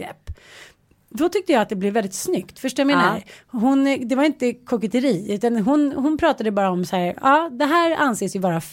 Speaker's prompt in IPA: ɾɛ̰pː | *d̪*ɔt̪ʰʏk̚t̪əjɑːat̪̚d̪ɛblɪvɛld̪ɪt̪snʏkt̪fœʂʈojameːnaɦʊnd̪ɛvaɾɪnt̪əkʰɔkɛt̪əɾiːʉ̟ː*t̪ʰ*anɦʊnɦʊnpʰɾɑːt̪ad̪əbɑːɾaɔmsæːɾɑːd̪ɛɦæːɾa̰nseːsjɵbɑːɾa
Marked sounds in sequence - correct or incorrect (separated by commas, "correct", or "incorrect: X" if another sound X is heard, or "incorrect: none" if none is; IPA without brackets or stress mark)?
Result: correct, incorrect: t̪